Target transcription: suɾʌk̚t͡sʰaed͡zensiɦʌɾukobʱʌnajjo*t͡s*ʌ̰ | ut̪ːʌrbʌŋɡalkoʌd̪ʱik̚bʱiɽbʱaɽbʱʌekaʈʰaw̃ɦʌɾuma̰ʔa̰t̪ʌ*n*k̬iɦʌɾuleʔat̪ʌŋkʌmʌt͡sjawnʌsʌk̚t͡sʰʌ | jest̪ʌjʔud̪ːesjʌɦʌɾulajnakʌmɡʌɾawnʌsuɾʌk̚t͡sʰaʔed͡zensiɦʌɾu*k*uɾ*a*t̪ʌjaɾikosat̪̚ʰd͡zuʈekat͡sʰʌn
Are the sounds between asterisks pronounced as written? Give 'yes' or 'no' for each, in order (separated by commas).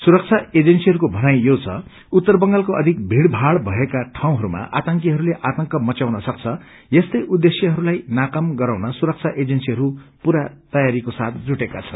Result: no, no, no, yes